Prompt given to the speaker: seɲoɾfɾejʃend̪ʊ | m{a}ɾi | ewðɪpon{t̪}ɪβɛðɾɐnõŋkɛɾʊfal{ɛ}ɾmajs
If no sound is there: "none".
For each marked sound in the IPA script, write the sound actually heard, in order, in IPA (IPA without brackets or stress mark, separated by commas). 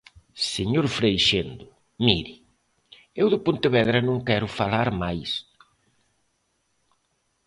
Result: i, t̪, a